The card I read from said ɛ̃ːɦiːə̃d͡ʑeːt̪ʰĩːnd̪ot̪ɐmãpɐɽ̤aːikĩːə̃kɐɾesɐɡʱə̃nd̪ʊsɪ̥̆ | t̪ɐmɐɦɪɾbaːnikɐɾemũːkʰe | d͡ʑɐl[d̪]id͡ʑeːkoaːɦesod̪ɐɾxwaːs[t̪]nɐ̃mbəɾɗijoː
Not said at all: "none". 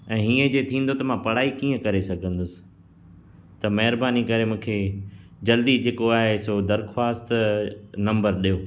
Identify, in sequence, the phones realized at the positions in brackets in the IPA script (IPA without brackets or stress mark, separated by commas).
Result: d̪, t̪